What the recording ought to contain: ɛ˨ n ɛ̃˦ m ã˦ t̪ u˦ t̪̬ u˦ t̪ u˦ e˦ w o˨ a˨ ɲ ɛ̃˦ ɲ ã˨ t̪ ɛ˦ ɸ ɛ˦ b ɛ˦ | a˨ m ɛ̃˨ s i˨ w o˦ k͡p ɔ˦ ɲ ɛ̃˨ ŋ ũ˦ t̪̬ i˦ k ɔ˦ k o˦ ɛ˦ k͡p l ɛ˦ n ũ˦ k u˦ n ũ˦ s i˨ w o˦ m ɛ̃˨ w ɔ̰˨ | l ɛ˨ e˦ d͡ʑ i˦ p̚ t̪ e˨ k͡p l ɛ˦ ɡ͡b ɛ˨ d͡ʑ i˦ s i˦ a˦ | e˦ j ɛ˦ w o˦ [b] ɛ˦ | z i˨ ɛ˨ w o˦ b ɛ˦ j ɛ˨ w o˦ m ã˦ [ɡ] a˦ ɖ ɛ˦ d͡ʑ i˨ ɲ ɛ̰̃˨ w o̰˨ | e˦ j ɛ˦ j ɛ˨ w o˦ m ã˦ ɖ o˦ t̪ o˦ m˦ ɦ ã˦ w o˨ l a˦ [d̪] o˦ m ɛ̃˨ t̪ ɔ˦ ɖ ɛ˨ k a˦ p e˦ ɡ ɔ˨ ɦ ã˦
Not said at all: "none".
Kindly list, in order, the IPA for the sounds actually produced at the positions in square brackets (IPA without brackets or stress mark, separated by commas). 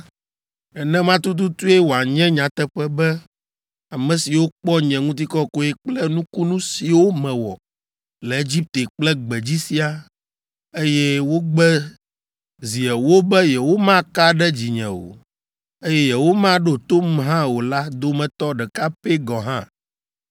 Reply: ɡ͡b, k, d̪